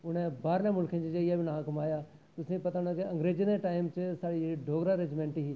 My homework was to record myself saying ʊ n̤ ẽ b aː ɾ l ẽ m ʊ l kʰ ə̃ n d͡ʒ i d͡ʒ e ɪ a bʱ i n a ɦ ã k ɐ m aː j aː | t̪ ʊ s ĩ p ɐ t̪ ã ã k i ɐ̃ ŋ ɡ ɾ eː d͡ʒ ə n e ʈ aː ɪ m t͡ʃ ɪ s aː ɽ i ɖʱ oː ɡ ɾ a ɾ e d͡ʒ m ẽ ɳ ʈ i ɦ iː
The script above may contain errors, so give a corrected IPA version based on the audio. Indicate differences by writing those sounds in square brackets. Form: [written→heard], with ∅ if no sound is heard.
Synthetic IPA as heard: ʊ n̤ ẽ b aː ɾ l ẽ m ʊ l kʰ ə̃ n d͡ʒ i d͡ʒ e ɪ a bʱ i n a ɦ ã k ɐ m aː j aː | t̪ ʊ s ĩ p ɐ t̪ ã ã k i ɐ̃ ŋ ɡ ɾ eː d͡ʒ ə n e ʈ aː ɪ m t͡ʃ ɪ s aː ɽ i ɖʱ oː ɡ ɾ a ɾ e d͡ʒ m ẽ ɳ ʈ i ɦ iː